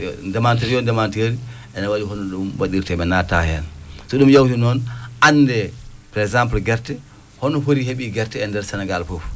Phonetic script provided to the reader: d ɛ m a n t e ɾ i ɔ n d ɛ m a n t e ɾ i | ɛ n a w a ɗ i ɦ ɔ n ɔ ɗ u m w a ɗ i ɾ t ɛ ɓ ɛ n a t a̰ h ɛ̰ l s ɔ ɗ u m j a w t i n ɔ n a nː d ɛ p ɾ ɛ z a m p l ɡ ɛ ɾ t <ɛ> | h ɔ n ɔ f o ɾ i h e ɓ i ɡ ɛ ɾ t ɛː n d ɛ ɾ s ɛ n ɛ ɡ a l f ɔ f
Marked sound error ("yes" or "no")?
no